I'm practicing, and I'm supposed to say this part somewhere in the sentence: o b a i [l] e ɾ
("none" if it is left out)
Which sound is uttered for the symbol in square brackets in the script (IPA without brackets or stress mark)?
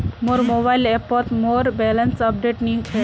l